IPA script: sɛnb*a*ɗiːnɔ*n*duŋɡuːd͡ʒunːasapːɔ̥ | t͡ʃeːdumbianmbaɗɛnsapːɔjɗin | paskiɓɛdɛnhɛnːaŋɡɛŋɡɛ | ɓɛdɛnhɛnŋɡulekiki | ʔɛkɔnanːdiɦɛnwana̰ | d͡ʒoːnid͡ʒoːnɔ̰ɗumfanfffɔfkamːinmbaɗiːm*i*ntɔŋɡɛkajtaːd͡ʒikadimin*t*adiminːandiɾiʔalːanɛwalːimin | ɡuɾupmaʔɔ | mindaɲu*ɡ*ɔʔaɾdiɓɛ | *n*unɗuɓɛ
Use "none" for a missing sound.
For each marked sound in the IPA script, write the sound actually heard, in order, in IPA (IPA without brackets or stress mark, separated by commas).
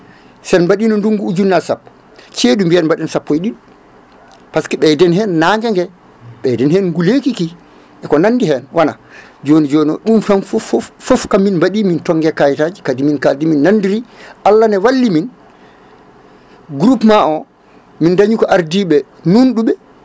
a, n, i, k, k, n